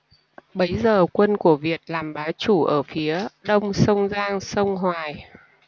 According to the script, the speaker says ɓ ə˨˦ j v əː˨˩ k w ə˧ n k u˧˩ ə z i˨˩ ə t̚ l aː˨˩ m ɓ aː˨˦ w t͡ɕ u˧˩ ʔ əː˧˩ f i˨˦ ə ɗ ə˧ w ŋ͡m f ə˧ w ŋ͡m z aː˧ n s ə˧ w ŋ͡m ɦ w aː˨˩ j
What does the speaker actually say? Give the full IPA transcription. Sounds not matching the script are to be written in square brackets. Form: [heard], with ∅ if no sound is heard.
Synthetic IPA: ɓ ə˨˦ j [z] əː˨˩ k w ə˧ n k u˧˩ ə [v] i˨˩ ə t̚ l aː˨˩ m ɓ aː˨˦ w t͡ɕ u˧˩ ʔ əː˧˩ f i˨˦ ə ɗ ə˧ w ŋ͡m [s] ə˧ w ŋ͡m z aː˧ [ŋ] s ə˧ w ŋ͡m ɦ w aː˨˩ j